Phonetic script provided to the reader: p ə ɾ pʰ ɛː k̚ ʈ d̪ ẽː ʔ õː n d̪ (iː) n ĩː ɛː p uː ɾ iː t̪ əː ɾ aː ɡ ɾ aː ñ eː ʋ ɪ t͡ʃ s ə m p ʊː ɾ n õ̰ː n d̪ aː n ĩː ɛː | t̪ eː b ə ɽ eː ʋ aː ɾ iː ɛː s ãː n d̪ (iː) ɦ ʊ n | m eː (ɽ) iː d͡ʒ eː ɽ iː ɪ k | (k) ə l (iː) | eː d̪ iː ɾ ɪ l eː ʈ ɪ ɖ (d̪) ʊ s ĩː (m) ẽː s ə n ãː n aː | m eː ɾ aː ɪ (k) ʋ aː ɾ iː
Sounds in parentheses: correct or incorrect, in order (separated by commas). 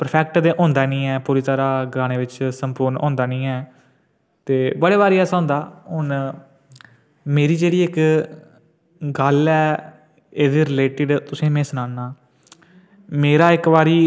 incorrect, incorrect, incorrect, incorrect, incorrect, incorrect, correct, correct